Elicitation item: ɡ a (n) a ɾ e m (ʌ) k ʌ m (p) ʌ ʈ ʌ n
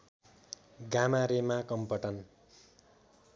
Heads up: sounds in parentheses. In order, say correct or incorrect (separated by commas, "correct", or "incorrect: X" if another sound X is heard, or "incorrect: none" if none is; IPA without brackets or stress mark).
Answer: incorrect: m, incorrect: a, correct